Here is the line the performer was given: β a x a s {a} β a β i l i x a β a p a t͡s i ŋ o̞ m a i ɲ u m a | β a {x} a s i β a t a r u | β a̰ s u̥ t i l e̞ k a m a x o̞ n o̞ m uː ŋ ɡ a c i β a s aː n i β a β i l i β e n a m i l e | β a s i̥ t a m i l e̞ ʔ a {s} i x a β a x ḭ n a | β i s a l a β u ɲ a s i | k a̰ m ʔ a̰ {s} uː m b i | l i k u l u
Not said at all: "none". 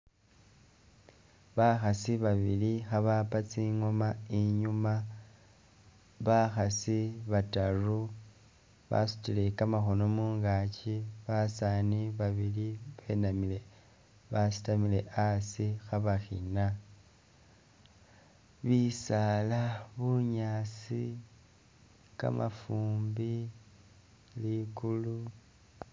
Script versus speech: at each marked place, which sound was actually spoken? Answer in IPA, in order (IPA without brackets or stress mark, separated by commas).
i, x, s, f